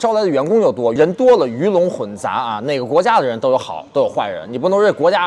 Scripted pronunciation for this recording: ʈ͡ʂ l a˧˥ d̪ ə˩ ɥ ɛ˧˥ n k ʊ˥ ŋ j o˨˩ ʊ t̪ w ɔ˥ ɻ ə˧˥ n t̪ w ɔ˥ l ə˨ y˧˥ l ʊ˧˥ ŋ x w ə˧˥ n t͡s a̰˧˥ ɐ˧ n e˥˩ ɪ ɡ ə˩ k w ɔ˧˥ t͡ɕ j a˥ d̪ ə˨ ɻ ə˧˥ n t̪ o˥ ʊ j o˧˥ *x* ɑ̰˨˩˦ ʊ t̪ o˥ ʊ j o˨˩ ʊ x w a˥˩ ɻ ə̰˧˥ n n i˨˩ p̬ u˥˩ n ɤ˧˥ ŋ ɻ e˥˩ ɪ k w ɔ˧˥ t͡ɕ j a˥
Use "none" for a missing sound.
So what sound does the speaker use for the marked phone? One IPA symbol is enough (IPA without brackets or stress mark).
x